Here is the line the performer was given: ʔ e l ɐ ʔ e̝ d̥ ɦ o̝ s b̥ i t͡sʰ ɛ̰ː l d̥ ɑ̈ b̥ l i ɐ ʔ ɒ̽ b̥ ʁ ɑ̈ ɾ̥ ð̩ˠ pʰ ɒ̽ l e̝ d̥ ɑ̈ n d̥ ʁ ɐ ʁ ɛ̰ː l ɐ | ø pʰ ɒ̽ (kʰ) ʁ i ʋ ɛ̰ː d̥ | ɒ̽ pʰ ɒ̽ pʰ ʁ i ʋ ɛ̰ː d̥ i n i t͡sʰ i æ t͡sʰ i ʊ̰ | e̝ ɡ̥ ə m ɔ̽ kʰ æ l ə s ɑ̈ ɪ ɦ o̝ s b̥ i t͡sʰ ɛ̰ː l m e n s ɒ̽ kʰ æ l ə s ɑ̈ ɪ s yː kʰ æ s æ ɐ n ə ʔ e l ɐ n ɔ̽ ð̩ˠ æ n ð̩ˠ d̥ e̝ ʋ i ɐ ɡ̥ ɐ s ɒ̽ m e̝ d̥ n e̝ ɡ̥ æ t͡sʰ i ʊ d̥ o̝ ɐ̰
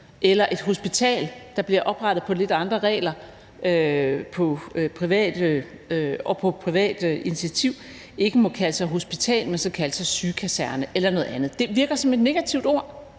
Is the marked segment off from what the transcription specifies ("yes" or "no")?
yes